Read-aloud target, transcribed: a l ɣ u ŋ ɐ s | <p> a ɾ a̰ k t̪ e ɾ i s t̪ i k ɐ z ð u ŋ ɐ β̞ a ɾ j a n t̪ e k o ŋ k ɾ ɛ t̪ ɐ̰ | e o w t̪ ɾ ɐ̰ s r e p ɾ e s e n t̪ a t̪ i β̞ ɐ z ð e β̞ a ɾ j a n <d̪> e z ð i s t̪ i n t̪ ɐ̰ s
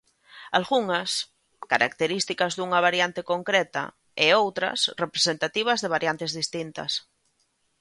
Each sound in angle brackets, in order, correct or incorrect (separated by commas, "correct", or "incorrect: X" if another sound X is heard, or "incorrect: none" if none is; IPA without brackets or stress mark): incorrect: k, incorrect: t̪